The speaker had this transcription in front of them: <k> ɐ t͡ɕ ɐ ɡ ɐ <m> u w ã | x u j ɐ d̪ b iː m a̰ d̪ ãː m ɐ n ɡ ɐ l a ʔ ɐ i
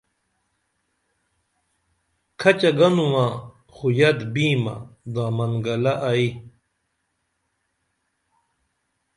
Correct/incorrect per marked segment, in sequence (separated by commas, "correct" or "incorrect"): incorrect, incorrect